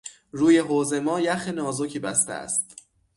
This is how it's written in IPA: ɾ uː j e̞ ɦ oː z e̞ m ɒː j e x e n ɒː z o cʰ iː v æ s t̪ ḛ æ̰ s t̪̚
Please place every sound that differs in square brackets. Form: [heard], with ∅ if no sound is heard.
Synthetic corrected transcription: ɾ uː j e̞ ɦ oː z e̞ m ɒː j [æ] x e n ɒː z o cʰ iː [b] æ s t̪ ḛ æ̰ s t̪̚